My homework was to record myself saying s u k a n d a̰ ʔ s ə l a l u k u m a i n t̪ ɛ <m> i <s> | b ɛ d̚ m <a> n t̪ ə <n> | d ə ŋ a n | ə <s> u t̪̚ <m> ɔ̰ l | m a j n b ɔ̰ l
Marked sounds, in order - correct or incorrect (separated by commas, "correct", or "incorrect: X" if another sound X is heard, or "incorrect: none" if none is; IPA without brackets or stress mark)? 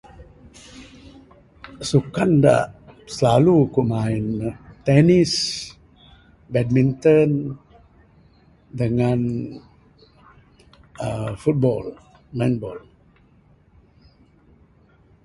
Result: incorrect: n, correct, incorrect: i, correct, incorrect: f, incorrect: b